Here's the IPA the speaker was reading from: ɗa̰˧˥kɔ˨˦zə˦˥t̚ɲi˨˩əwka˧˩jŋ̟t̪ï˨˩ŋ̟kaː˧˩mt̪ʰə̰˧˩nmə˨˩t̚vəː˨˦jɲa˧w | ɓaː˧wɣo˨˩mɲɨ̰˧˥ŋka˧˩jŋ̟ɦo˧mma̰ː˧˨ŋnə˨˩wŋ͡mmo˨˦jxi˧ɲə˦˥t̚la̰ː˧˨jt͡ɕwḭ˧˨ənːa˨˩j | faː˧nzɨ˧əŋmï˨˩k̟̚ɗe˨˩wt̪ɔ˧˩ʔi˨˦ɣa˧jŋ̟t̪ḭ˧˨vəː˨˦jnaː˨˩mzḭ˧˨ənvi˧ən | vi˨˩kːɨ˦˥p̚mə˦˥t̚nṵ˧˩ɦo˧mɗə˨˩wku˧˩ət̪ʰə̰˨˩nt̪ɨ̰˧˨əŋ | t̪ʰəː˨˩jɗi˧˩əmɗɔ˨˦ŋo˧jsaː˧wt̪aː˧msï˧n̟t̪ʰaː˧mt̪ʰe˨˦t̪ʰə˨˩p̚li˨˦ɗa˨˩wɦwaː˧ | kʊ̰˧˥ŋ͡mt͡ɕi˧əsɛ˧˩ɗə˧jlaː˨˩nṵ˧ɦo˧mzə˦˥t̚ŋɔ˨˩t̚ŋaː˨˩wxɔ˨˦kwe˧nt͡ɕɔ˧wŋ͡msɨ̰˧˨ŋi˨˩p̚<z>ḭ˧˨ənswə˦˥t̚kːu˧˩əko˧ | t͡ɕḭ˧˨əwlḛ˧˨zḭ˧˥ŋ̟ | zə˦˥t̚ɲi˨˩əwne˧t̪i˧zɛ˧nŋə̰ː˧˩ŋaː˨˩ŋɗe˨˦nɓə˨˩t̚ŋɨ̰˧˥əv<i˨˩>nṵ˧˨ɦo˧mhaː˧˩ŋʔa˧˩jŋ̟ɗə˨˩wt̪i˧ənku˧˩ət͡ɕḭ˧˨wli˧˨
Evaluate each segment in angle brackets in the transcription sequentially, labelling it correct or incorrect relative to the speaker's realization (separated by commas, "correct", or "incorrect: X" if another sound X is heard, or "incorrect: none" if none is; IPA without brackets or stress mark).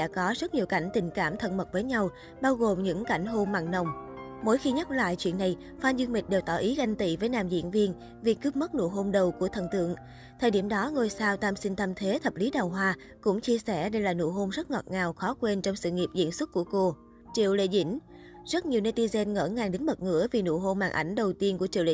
correct, correct